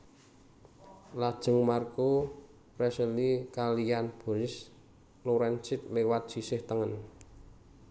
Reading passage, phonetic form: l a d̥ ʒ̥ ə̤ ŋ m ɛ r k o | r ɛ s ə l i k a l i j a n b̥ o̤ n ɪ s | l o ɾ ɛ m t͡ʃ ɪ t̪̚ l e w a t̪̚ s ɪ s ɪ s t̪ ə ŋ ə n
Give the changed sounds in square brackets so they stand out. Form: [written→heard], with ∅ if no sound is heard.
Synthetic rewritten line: l a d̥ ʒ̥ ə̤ ŋ m [ɛ→a] r k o | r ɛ s ə l i k a l i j a n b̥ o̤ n ɪ s | l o ɾ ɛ [m→n] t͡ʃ ɪ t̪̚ l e w a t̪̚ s [ɪ→i] s ɪ [s→h] t̪ ə ŋ ə n